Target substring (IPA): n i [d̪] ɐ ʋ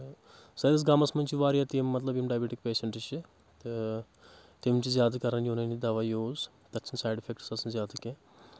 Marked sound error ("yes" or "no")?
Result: no